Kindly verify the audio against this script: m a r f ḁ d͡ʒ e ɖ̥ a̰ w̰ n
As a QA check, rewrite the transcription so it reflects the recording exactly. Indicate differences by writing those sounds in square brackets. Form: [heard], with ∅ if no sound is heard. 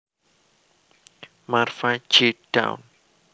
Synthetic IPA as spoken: m a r f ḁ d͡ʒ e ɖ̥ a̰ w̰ n